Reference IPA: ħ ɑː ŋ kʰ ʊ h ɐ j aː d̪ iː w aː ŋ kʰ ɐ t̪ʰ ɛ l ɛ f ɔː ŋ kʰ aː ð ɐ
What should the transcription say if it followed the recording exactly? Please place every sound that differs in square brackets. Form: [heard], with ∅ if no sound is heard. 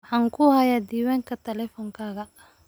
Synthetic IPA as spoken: ħ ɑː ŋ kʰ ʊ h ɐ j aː d̪ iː w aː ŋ kʰ ɐ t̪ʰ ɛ l ɛ f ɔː ŋ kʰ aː [ɣ] ɐ